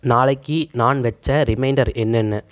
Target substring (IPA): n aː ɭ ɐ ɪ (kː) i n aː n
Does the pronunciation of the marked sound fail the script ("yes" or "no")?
no